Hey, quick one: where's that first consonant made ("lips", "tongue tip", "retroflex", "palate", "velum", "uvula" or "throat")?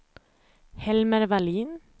throat